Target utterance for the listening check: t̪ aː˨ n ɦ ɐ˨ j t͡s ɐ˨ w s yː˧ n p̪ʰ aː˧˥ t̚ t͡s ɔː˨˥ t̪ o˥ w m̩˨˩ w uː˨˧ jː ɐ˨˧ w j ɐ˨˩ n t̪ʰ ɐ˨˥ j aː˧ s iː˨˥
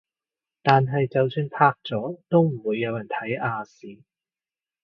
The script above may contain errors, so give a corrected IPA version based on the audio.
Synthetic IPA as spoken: t̪ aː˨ n ɦ ɐ˨ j t͡s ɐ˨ w s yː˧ n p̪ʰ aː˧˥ k̚ t͡s ɔː˨˥ t̪ o˥ w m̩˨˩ w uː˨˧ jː ɐ˨˧ w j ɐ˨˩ n t̪ʰ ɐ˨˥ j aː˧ s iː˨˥